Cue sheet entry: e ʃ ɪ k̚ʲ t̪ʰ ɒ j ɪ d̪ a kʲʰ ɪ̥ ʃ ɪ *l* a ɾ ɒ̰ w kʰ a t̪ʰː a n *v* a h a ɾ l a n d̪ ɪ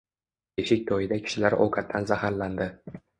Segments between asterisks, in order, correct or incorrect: correct, incorrect: z

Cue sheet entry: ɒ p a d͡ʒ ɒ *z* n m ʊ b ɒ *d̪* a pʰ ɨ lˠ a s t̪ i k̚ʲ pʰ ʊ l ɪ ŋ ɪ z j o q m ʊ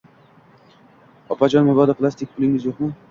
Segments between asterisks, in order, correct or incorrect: incorrect: none, correct

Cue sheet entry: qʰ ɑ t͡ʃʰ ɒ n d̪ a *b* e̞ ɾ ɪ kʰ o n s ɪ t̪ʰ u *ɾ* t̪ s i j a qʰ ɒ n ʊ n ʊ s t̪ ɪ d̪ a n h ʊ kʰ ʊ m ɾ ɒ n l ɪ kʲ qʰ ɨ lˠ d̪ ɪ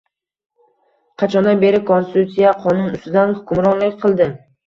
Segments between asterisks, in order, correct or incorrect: correct, incorrect: none

